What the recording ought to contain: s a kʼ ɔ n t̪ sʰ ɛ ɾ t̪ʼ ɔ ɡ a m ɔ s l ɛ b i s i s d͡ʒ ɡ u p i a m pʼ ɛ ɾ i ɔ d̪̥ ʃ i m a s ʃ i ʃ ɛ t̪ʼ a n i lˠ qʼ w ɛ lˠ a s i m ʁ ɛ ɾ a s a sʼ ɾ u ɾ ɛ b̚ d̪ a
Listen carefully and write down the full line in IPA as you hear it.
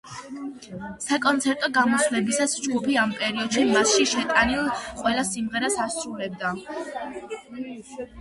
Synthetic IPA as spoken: s a kʼ ɔ n t̪ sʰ ɛ ɾ t̪ʼ ɔ ɡ a m ɔ s l ɛ b i s a s d͡ʒ ɡ u p i a m pʼ ɛ ɾ i ɔ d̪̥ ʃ i m a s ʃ i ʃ ɛ t̪ʼ a n i lˠ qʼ w ɛ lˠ a s i m ʁ ɛ ɾ a s a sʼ ɾ u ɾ ɛ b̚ d̪ a